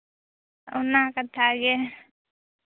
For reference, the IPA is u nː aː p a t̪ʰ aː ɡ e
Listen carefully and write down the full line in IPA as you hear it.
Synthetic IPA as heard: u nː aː k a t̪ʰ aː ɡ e